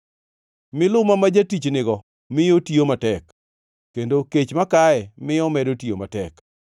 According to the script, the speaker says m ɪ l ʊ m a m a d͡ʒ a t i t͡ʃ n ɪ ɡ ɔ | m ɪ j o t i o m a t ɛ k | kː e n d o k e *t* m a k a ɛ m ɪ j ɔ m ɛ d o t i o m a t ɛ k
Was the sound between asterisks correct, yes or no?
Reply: no